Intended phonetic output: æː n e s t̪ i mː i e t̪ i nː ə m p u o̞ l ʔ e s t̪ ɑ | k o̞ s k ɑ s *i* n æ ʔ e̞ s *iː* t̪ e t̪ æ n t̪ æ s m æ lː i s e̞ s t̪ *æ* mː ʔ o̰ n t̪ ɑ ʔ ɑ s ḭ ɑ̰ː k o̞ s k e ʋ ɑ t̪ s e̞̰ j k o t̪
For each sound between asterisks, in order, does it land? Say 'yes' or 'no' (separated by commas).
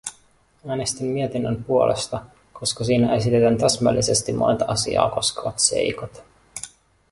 no, no, no